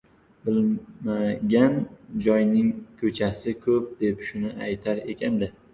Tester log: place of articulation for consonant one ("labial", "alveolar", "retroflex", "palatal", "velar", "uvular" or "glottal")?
labial